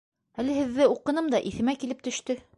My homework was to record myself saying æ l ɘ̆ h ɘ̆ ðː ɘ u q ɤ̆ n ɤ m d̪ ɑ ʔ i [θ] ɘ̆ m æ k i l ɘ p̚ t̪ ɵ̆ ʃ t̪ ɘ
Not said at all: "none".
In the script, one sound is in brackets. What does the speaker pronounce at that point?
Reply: θ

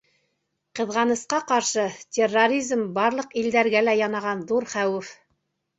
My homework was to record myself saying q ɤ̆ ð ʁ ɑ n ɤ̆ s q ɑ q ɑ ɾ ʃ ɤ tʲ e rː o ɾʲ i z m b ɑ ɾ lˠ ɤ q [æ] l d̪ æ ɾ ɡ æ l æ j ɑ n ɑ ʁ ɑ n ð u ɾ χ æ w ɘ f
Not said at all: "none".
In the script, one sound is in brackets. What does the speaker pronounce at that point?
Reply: i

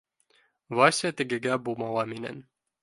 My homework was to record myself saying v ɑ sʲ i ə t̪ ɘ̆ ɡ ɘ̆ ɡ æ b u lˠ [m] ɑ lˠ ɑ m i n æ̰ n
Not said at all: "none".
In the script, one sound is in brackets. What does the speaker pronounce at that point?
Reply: m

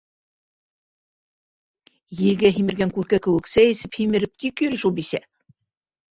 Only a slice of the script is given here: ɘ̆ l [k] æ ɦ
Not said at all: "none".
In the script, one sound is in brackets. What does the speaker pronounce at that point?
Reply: ɡ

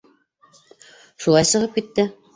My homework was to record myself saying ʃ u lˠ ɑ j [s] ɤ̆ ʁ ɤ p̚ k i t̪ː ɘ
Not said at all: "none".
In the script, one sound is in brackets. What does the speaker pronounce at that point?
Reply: s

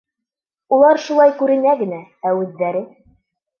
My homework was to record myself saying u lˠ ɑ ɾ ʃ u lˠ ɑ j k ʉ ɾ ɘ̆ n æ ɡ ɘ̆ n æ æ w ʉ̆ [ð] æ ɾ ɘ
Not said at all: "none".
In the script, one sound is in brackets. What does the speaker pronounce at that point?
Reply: ðː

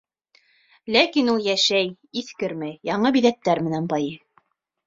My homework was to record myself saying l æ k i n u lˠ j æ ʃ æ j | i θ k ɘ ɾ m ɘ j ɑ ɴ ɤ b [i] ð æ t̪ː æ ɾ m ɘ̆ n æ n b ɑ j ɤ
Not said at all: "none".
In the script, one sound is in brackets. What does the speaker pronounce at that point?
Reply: i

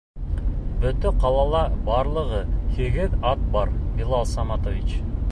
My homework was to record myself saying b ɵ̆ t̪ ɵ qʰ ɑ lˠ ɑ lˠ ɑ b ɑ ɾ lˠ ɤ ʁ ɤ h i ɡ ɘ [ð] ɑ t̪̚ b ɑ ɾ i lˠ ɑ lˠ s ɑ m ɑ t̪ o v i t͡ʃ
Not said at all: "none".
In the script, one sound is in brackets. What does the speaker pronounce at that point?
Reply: ð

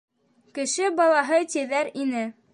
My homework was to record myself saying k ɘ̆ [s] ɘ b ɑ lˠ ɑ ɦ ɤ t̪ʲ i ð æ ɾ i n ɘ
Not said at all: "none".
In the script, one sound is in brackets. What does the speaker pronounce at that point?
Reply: ʃ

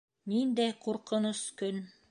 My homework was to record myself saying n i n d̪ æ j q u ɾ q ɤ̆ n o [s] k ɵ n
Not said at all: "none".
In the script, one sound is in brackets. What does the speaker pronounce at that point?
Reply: s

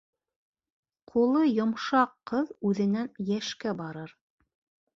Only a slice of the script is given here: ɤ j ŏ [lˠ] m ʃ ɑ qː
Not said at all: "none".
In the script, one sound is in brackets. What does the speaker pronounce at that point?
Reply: none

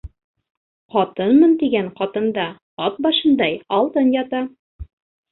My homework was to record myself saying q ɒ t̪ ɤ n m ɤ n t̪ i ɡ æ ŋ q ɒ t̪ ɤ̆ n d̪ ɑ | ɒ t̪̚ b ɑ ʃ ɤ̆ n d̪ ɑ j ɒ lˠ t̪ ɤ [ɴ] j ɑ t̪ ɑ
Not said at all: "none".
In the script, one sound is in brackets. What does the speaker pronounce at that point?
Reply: n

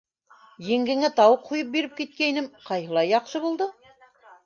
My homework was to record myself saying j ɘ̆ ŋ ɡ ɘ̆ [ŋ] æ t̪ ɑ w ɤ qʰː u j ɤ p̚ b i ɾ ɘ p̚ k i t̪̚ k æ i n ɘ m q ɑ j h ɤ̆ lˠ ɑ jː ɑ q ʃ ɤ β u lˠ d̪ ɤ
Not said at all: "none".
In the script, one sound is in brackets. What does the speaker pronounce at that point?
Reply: ŋ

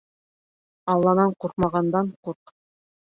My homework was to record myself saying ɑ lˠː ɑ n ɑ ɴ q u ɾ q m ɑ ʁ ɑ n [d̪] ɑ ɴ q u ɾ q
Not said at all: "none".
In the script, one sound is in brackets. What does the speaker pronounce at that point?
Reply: d̪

